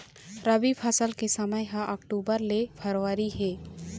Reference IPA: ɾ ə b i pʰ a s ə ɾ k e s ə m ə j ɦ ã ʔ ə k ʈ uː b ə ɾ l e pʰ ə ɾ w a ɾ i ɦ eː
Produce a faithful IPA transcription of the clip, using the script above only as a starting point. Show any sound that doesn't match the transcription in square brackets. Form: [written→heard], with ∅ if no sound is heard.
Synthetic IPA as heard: ɾ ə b i pʰ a s ə [ɾ→l] k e s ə m ə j ɦ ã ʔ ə k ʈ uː b ə ɾ l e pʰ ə ɾ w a ɾ i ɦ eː